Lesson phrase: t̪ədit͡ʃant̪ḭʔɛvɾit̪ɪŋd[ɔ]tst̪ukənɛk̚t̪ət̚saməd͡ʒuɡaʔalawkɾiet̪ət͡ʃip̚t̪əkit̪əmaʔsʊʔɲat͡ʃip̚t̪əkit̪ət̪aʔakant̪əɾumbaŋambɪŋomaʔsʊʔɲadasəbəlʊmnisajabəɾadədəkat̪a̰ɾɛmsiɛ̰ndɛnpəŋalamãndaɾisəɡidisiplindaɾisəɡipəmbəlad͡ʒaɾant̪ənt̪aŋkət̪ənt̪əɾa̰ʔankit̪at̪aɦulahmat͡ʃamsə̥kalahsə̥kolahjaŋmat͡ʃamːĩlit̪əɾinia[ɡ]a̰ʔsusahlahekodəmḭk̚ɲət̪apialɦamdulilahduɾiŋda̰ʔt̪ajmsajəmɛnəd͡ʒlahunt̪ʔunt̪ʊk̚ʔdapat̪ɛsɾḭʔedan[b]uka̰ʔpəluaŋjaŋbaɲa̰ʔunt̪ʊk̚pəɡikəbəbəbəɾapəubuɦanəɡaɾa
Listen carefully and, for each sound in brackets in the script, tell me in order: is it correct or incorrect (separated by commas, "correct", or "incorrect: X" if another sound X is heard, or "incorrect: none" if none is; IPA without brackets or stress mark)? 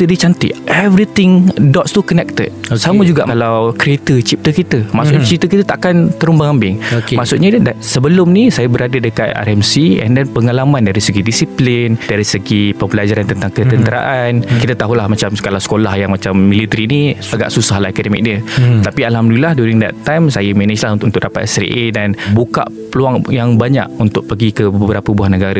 correct, correct, correct